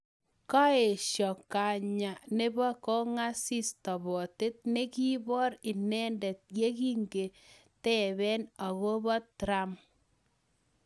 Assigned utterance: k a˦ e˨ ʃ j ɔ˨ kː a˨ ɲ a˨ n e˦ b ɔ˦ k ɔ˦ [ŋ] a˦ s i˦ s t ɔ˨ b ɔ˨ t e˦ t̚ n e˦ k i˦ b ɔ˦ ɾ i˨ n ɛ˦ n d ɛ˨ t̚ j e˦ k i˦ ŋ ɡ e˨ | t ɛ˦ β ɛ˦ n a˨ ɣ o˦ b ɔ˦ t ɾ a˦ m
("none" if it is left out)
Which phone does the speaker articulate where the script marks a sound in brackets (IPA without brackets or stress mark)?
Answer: ŋ